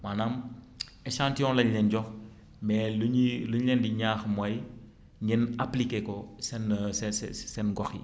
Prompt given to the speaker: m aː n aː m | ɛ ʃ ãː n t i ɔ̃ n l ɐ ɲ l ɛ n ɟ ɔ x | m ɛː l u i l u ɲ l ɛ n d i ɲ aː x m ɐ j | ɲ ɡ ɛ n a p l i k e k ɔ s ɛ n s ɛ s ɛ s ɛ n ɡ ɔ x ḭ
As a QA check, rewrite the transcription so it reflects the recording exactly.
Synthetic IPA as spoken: m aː n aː m | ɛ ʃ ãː n t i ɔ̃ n l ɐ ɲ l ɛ n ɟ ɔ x | m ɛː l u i l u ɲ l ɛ n d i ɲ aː x m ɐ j | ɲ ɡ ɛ n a p l i k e k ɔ s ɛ n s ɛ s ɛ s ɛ n ɡ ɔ x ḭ